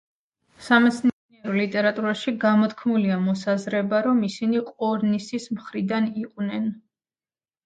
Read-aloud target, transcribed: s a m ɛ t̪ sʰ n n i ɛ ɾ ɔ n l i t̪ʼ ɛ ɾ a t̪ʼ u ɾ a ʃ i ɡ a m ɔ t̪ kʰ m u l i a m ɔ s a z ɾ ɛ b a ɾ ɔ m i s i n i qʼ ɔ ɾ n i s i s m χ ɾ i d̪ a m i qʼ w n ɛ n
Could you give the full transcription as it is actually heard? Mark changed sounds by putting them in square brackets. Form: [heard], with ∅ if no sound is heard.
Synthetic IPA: s a m ɛ t̪ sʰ n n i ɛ ɾ ɔ [∅] l i t̪ʼ ɛ ɾ a t̪ʼ u ɾ a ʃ i ɡ a m ɔ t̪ kʰ m u l i a m ɔ s a z ɾ ɛ b a ɾ ɔ m i s i n i qʼ ɔ ɾ n i s i s m χ ɾ i d̪ a [n] i qʼ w n ɛ n